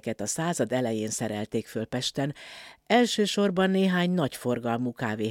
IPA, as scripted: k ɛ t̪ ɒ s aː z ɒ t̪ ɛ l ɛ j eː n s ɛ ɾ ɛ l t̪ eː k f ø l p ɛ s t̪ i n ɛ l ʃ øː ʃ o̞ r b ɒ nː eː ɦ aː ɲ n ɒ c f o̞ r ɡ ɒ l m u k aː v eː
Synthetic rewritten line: k ɛ t̪ ɒ s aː z ɒ d̪ ɛ l ɛ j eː n s ɛ ɾ ɛ l t̪ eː k f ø l p ɛ ʃ t̪ ɛ n ɛ l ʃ øː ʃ o̞ r b ɒ nː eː ɦ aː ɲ n ɒ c f o̞ r ɡ ɒ l m u k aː v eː